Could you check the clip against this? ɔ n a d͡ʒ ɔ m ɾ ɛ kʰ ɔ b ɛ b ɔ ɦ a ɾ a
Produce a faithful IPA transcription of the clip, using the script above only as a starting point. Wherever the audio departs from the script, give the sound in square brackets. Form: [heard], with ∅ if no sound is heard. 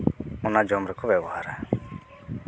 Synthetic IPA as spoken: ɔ n a d͡ʒ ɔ m ɾ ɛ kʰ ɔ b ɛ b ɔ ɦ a ɾ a